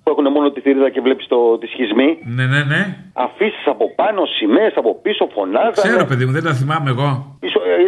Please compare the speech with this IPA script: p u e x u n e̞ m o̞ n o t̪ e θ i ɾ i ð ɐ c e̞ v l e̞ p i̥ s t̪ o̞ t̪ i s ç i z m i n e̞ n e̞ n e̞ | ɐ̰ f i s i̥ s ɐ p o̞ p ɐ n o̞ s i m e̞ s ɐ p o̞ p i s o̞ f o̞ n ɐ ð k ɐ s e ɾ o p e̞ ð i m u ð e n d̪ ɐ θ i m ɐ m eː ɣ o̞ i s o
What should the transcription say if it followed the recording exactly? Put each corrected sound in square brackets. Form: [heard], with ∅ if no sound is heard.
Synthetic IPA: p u e x u n e̞ m o̞ n o t̪ [i] θ i ɾ i ð ɐ c e̞ v l e̞ p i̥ s t̪ o̞ t̪ i s ç i z m i n e̞ n e̞ n e̞ | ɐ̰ f i s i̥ s ɐ p o̞ p ɐ n o̞ s i m e̞ s ɐ p o̞ p i s o̞ f o̞ n ɐ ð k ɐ s e ɾ o p e̞ ð i m u ð e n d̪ ɐ θ i m ɐ m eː ɣ o̞ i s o